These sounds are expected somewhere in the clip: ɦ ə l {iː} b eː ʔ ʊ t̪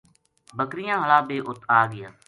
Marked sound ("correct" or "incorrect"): incorrect